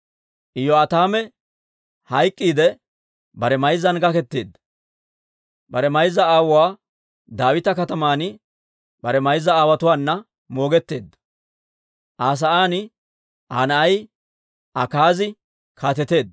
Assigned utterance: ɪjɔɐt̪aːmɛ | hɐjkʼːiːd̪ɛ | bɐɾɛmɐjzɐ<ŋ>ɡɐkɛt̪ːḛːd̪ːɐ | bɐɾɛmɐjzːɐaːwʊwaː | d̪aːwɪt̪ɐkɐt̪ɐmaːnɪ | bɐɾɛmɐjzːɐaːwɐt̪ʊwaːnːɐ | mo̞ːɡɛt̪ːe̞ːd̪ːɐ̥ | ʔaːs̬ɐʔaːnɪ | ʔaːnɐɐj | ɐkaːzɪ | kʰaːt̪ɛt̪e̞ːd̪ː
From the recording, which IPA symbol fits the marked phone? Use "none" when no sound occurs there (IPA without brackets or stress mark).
n